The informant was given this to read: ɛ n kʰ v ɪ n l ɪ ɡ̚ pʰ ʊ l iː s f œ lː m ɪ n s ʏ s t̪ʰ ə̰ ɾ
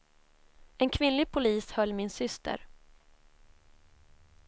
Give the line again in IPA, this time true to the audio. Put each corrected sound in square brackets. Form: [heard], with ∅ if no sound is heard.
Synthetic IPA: ɛ n kʰ v ɪ n l ɪ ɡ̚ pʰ ʊ l iː s [h] œ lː m ɪ n s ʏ s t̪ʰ ə̰ ɾ